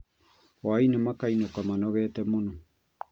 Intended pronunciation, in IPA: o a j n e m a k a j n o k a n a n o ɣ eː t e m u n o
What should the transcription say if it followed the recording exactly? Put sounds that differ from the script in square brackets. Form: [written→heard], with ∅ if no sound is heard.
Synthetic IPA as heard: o a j n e m a k a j n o k a [n→m] a n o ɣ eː t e m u n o